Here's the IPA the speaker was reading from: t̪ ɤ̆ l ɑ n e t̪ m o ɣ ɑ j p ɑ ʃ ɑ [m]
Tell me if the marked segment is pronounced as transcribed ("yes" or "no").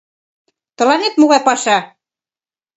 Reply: no